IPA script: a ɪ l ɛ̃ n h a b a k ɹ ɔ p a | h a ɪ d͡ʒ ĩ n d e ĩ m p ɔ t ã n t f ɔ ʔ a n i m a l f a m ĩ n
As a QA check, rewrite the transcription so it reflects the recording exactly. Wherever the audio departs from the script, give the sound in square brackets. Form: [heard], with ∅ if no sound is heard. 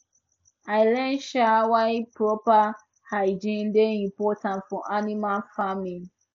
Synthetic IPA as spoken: a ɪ l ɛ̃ n [ʃ] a [w] a [p] ɹ ɔ p a | h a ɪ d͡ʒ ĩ n d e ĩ m p ɔ t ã n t f ɔ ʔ a n i m a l f a m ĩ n